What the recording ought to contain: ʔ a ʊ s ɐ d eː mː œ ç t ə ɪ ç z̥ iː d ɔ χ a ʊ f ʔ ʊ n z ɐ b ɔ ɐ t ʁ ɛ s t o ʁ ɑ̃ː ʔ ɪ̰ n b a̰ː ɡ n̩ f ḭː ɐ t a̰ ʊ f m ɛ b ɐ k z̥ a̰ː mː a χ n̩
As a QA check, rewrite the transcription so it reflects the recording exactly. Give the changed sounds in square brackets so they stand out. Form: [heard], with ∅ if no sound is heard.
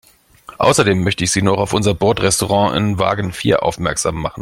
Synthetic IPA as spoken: ʔ a ʊ s ɐ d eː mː œ ç t ə ɪ ç z̥ iː [n] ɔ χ a ʊ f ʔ ʊ n z ɐ b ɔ ɐ t ʁ ɛ s t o ʁ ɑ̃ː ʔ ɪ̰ n [v] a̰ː ɡ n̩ f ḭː ɐ [ʔ] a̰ ʊ f m ɛ [∅] ɐ k z̥ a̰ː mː a χ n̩